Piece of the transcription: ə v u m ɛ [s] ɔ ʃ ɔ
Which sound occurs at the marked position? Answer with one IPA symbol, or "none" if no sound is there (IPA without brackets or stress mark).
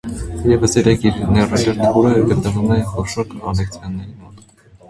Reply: χ